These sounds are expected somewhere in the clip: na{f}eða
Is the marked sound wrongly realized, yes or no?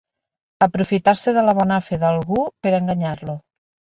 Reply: no